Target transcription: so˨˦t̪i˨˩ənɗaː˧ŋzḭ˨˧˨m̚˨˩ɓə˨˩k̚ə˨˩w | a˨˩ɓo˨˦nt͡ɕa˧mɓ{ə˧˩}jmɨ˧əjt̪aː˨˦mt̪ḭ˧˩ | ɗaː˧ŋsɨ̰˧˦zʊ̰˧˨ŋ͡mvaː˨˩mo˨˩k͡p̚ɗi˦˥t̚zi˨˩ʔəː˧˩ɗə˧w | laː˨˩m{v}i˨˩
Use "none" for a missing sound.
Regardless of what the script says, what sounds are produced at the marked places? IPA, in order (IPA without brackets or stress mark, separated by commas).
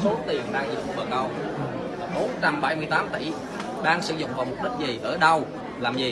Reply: a˧˩, z